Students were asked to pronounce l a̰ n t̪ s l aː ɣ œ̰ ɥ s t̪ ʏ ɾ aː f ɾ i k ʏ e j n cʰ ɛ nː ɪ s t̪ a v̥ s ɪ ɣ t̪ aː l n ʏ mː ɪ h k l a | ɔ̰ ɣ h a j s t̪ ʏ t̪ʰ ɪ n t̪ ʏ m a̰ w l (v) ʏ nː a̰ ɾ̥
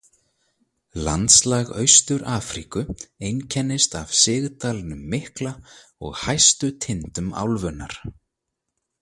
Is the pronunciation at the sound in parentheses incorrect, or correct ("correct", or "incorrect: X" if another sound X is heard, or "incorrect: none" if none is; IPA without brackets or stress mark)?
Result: correct